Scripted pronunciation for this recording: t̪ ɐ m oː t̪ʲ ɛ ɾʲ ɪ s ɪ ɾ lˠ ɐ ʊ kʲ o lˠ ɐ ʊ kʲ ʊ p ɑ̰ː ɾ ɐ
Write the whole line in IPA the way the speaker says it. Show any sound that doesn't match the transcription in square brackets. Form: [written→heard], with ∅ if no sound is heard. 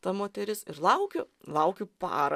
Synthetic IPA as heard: t̪ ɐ m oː t̪ʲ ɛ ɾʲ ɪ s ɪ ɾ lˠ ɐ ʊ kʲ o lˠ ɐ ʊ kʲ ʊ p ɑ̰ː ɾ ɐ